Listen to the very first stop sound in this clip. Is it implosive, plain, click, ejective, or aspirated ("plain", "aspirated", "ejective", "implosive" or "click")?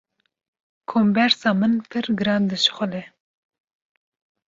aspirated